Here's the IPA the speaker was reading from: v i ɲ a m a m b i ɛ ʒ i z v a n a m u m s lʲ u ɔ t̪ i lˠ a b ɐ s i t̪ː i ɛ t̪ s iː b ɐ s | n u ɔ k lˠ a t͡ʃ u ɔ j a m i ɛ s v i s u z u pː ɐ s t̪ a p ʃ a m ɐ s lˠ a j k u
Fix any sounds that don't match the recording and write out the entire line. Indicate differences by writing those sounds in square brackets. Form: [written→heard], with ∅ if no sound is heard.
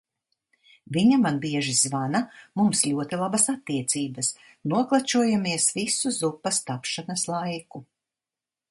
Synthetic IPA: v i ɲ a m a [m→n] b i ɛ ʒ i z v a n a m u m s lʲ u ɔ t̪ i lˠ a b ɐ s [i→a] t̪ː i ɛ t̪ s iː b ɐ s | n u ɔ k lˠ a t͡ʃ u ɔ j a m i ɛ s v i s u z u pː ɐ s t̪ a p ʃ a [m→n] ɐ s lˠ a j k u